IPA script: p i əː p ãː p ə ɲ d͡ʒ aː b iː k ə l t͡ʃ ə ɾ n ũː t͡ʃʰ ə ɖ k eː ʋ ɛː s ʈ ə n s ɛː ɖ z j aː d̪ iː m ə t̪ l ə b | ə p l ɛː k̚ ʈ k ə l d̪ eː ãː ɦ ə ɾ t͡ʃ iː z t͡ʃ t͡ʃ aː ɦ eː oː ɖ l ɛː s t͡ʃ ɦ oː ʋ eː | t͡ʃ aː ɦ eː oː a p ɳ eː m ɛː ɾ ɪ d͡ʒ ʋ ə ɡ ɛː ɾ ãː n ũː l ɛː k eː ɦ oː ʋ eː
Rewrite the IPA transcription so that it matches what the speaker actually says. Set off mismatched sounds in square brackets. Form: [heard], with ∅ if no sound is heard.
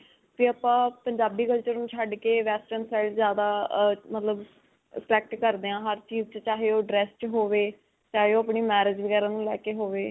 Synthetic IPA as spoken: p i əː p ãː p ə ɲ d͡ʒ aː b iː k ə l t͡ʃ ə ɾ n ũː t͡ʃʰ ə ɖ k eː ʋ ɛː s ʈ ə n s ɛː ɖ z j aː d̪ [aː] m ə t̪ l ə b | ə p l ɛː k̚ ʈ k ə [ɾ] d̪ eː ãː ɦ ə ɾ t͡ʃ iː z t͡ʃ t͡ʃ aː ɦ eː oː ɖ [ɾ] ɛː s t͡ʃ ɦ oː ʋ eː | t͡ʃ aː ɦ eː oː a p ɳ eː m ɛː ɾ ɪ d͡ʒ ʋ ə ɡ ɛː ɾ ãː n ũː l ɛː k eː ɦ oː ʋ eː